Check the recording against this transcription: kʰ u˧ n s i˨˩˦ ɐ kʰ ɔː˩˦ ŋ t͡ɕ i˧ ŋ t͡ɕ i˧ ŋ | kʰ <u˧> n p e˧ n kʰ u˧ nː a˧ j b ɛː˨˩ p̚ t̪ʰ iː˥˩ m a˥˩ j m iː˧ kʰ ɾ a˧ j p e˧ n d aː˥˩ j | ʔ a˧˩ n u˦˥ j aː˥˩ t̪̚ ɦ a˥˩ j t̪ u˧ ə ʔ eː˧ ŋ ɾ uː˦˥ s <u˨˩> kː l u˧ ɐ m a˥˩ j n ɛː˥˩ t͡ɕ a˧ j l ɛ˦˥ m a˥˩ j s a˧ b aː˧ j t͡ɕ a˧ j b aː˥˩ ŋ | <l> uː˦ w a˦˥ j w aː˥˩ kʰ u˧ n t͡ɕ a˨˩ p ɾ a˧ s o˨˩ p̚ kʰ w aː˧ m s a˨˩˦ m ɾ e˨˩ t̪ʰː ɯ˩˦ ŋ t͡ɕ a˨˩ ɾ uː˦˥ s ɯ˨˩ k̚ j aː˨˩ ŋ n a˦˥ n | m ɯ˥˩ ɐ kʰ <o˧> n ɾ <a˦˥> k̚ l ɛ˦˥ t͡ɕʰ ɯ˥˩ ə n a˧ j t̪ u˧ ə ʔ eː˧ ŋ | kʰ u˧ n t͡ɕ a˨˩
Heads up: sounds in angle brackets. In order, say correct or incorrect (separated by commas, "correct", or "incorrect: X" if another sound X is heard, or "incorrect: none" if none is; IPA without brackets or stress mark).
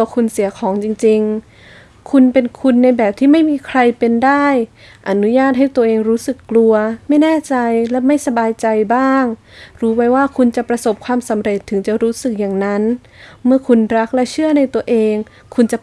correct, incorrect: ɯ˨˩, incorrect: ɾ, incorrect: u˧, correct